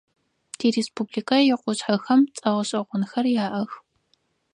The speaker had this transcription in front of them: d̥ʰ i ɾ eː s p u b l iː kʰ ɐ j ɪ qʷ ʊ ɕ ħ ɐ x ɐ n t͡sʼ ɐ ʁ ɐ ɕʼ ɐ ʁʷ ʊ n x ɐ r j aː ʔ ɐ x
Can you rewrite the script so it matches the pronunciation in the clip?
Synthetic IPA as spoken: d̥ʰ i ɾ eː s p u b l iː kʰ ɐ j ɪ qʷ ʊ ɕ ħ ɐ x ɐ m t͡sʼ ɐ ʁ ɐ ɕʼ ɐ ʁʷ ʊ n x ɐ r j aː ʔ ɐ x